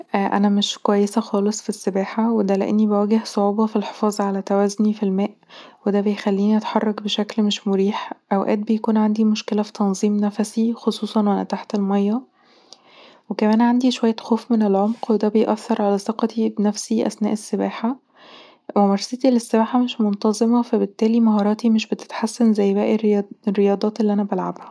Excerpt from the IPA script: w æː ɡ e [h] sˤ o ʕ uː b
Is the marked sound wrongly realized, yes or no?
no